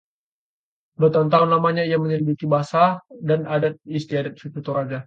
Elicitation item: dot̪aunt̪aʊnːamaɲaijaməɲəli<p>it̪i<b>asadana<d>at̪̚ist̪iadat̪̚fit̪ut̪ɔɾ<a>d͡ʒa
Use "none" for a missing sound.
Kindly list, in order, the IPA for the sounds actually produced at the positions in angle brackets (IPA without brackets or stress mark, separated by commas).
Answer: b, b, d, a